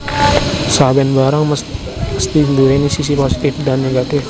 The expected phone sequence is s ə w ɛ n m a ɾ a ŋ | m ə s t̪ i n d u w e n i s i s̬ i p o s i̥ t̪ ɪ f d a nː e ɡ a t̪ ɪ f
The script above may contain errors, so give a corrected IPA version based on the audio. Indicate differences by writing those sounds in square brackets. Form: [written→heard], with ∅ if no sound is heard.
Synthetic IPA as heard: s [ə→a] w ɛ n [m→b] a ɾ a ŋ | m ə s t̪ i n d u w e n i s i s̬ i p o s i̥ t̪ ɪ f d a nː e ɡ a t̪ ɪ f